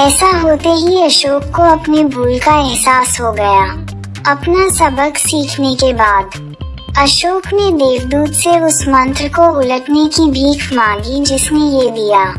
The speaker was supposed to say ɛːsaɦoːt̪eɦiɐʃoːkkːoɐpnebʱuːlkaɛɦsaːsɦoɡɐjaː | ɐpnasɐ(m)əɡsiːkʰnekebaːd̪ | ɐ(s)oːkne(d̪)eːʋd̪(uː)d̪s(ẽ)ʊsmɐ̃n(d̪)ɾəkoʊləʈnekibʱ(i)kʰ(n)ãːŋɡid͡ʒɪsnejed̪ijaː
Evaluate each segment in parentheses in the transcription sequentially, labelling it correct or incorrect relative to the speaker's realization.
incorrect: b, incorrect: ʃ, correct, correct, incorrect: e, incorrect: t̪, incorrect: iː, incorrect: m

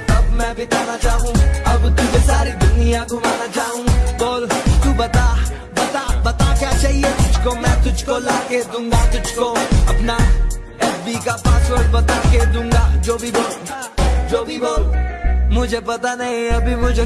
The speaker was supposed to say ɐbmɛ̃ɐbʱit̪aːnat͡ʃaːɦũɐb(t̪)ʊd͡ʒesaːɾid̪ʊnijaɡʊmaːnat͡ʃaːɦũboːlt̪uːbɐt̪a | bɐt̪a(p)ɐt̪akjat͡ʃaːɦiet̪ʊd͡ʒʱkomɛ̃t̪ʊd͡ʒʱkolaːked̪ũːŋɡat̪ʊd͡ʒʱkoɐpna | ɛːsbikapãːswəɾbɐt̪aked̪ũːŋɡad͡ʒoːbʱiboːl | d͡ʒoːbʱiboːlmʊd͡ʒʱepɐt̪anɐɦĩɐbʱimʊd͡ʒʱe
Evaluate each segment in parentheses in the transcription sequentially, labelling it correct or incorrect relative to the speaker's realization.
correct, incorrect: b

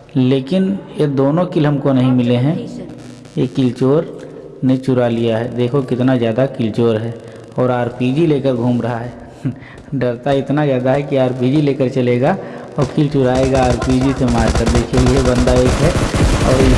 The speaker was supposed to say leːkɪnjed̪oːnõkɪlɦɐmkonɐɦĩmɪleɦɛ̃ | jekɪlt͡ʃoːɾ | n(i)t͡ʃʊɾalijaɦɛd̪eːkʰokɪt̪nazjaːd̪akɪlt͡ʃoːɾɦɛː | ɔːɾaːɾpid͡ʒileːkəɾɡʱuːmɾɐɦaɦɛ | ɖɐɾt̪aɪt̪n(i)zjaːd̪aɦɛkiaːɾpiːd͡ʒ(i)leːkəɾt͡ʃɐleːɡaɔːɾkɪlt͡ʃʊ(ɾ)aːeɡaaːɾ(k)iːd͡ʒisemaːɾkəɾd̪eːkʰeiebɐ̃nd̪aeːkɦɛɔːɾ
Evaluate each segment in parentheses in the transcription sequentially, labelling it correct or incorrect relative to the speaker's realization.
incorrect: e, incorrect: a, correct, correct, incorrect: p

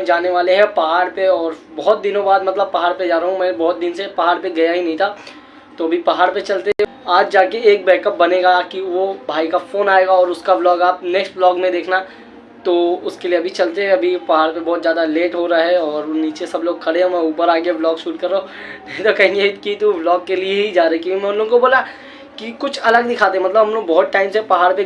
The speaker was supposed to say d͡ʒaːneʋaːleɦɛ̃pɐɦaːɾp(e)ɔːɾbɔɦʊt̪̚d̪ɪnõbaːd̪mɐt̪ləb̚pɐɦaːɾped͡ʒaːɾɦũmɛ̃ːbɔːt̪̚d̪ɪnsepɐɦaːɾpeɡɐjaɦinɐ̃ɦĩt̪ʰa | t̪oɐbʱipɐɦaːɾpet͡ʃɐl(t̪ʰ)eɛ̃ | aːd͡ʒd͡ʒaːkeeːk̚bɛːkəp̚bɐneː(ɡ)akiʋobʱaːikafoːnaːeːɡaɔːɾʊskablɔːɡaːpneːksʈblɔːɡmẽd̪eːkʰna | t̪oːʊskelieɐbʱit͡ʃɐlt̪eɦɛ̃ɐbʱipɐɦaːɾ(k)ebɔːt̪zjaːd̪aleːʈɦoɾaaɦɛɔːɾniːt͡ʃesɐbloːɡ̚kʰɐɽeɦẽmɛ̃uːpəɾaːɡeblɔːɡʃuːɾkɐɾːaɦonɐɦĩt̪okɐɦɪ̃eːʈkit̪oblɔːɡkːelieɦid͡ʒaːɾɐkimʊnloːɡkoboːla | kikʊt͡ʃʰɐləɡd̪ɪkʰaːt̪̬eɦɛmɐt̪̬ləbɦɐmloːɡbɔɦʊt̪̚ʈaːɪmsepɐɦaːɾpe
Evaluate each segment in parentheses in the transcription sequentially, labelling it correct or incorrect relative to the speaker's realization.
correct, incorrect: t̪, correct, incorrect: p

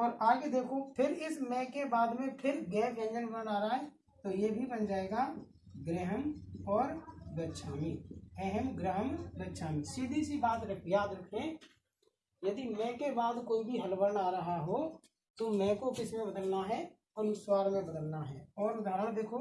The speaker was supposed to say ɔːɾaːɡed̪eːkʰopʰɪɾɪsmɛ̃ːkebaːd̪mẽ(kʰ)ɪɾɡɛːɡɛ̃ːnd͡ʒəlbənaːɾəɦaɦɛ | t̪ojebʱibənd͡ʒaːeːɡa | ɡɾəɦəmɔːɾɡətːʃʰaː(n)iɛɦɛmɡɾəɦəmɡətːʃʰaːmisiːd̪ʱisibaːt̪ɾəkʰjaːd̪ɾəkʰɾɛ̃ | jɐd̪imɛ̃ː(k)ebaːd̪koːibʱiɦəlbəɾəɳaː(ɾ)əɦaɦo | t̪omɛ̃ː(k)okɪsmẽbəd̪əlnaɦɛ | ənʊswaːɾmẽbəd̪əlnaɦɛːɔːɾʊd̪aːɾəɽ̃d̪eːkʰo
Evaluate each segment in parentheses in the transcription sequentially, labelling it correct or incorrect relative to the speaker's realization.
incorrect: pʰ, incorrect: m, correct, correct, correct

